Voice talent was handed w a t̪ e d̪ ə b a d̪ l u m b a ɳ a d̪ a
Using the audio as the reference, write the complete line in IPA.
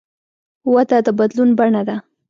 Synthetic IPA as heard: w a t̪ a d̪ ə b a d̪ l u n b a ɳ a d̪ a